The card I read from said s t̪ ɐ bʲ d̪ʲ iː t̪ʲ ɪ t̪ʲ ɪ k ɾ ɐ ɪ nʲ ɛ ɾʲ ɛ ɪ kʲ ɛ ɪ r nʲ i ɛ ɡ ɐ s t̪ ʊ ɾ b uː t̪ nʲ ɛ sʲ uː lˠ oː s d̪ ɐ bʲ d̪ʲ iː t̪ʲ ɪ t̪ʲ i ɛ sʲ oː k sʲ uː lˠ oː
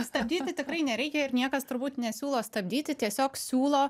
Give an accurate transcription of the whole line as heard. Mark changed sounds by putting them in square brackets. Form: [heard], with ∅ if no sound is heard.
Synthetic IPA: s t̪ ɐ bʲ d̪ʲ iː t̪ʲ ɪ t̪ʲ ɪ k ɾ ɐ ɪ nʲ ɛ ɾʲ ɛ ɪ kʲ ɛ ɪ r nʲ i ɛ [k] ɐ s t̪ ʊ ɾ b uː t̪ nʲ ɛ sʲ uː lˠ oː s [t̪] ɐ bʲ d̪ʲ iː t̪ʲ ɪ t̪ʲ i ɛ sʲ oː k sʲ uː lˠ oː